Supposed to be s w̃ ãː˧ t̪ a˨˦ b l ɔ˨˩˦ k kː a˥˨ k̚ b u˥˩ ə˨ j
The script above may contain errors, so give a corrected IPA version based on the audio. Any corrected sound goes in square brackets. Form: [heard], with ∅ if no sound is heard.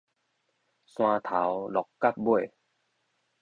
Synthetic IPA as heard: s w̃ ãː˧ [t̪ʰ] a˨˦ [w] l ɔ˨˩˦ k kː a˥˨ [p̚] b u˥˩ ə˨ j